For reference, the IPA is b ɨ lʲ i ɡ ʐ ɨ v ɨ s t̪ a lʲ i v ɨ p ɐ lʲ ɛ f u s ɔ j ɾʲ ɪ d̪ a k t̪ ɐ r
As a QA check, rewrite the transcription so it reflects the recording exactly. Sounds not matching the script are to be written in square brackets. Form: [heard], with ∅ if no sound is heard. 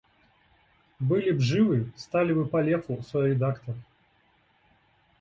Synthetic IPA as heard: b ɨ lʲ i [b] ʐ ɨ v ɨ s t̪ a lʲ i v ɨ p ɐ lʲ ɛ f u s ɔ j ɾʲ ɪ d̪ a k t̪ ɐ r